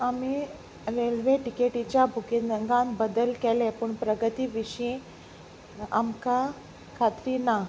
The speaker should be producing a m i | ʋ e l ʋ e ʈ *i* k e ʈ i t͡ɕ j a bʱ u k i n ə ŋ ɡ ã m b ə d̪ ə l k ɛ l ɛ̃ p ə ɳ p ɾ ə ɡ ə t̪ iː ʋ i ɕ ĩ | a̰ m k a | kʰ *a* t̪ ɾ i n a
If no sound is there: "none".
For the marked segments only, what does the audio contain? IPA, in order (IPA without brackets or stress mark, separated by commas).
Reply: i, a